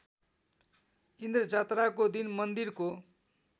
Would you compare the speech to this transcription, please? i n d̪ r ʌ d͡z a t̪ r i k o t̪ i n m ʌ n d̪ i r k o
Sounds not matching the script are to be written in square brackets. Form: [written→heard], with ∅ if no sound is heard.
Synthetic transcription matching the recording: i n d̪ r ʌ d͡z a t̪ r [i→a] k o [t̪→d̪] i n m ʌ n d̪ i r k o